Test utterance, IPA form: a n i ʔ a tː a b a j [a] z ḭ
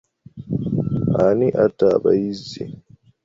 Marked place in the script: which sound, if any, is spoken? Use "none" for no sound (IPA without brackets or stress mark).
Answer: i